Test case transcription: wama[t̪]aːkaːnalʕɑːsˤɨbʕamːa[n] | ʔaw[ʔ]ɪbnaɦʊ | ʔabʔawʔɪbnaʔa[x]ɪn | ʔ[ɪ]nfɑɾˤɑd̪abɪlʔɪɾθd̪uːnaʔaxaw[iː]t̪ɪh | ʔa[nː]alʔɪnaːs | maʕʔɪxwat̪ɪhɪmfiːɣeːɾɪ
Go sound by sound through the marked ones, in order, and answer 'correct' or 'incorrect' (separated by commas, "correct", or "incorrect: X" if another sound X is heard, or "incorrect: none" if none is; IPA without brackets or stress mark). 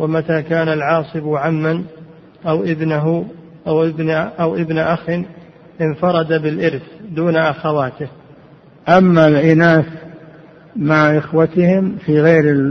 correct, correct, correct, correct, correct, incorrect: aː, incorrect: mː